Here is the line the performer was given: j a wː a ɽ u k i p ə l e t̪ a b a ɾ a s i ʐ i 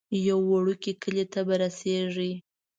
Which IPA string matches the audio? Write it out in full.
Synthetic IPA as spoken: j a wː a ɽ u k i k ə l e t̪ a b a ɾ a s e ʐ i